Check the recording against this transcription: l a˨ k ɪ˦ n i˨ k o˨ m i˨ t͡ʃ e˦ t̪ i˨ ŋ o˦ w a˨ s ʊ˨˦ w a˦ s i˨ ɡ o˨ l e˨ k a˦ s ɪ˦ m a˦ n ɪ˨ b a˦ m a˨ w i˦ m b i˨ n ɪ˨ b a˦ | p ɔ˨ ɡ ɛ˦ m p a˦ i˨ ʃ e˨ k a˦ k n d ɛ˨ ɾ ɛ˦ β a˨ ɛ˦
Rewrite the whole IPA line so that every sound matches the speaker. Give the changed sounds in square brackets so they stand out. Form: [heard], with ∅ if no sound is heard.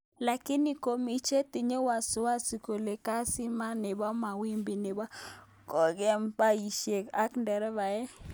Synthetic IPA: l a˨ k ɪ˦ n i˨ k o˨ m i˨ t͡ʃ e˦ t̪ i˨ [ɲ] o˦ w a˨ s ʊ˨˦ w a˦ s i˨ [k] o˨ l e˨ k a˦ s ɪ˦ m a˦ n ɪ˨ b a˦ m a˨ w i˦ m b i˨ n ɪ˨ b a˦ | [k] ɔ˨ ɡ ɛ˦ m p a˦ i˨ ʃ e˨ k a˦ k n d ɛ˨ ɾ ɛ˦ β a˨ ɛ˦